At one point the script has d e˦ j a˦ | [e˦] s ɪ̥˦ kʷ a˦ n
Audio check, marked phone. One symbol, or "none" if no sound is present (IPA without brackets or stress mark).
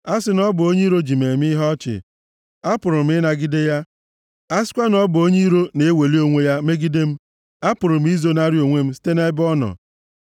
a˦